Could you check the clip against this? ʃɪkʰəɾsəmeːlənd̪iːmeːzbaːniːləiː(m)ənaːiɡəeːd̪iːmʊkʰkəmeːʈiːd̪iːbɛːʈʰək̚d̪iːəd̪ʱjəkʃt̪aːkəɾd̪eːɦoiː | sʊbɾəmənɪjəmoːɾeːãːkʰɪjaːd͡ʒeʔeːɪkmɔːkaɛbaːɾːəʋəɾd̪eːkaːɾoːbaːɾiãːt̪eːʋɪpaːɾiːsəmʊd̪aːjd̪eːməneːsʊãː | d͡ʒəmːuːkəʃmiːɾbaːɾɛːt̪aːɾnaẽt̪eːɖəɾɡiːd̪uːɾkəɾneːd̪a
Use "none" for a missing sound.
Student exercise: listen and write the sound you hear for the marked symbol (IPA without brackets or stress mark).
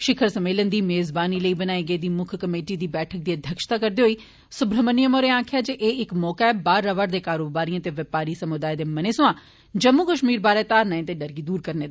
b